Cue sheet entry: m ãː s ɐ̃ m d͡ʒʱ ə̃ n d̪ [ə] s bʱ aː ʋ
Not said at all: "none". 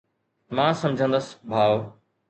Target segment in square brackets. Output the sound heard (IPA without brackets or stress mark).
ə